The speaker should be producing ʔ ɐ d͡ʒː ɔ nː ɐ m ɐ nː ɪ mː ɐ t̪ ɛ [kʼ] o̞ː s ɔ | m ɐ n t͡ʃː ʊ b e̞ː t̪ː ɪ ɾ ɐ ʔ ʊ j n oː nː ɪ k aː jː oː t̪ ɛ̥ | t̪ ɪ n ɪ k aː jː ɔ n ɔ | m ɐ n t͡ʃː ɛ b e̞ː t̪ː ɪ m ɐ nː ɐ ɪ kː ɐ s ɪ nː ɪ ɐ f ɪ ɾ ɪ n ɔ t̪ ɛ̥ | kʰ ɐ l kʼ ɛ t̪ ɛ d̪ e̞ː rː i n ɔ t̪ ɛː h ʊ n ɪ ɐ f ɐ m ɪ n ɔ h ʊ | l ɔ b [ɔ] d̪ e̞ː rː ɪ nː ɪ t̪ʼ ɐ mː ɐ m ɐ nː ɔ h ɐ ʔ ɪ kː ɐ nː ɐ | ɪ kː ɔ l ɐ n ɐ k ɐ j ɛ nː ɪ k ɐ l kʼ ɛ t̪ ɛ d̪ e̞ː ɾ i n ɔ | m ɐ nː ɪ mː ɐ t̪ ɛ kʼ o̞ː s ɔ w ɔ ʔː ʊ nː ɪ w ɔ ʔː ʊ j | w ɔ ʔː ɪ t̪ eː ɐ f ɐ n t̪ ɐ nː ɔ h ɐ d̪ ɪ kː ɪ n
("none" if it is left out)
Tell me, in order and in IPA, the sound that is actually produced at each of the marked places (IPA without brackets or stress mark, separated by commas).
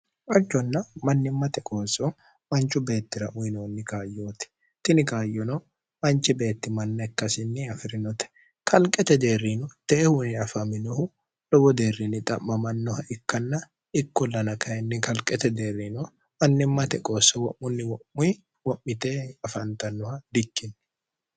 kʼ, ɔ